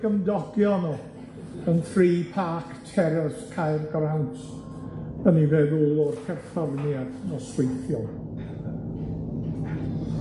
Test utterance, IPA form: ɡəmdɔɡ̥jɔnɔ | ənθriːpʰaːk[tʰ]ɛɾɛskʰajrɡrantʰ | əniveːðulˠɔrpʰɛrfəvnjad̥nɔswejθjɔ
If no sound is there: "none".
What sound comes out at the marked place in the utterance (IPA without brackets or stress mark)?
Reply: tʰ